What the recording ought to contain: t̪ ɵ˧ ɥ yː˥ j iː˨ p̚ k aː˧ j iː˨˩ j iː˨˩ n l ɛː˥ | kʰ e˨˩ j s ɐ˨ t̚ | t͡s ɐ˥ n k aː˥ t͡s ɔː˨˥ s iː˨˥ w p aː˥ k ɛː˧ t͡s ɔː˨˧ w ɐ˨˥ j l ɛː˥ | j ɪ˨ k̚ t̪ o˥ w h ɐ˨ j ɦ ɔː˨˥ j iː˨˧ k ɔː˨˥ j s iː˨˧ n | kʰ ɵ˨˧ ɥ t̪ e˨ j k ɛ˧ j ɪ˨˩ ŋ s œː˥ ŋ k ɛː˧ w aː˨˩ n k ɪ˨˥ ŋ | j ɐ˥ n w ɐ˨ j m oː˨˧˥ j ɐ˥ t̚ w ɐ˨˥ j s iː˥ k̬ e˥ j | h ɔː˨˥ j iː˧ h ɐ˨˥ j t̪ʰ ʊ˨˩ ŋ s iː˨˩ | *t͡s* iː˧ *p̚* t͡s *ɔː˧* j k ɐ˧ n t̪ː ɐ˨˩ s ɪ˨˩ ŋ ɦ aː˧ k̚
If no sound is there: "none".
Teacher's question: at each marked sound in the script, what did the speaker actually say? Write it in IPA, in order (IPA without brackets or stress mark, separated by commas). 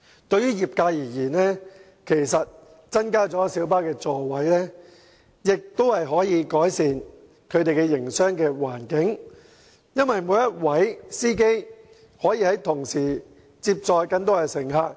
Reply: t͡s, p̚, ɔː˧